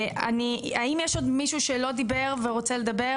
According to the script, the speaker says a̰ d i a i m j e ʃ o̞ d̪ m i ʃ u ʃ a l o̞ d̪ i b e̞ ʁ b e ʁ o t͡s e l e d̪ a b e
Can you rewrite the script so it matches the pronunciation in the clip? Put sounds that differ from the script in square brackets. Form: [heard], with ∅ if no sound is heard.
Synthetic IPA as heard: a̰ [n] i a i m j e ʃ o̞ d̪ m i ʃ u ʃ [e] l o̞ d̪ i b e̞ ʁ [v] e ʁ o t͡s e l e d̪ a b e